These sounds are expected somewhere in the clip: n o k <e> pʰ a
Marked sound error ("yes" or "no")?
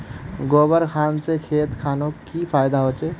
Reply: yes